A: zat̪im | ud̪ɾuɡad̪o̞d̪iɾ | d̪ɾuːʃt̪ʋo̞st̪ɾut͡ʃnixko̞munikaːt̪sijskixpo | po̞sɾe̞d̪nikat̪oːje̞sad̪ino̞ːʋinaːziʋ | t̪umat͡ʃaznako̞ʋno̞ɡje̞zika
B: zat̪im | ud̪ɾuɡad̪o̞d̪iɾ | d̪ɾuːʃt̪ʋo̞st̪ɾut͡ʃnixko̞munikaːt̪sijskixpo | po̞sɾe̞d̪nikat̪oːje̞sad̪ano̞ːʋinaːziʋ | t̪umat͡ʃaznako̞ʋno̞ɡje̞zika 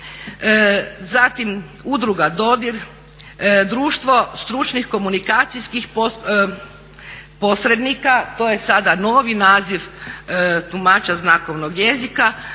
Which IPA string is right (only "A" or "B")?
B